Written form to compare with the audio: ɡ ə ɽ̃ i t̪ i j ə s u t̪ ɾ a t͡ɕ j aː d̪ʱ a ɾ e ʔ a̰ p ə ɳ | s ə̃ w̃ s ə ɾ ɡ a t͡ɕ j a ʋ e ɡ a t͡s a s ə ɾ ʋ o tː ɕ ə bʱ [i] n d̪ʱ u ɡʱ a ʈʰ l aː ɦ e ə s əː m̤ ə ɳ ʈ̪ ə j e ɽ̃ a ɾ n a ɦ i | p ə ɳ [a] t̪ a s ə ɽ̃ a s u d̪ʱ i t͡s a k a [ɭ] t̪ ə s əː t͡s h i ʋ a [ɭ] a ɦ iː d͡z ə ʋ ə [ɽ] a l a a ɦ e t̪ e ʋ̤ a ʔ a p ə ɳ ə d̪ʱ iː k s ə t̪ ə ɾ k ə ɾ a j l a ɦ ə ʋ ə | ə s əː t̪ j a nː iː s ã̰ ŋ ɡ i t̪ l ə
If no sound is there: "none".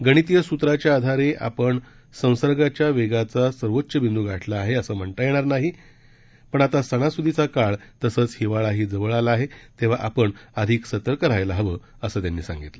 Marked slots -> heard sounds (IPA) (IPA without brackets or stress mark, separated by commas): i, a, ɭ, ɭ, ɭ